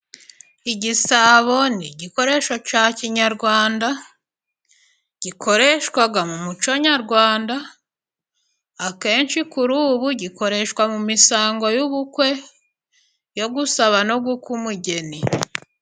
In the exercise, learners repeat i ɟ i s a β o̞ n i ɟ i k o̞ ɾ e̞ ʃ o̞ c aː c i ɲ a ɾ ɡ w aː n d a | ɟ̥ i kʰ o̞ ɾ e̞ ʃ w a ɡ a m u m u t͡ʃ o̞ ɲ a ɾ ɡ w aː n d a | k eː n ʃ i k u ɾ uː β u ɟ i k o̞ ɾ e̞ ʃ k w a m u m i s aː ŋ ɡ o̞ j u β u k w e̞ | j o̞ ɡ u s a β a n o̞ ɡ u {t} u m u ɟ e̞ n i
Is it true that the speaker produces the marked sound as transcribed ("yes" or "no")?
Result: no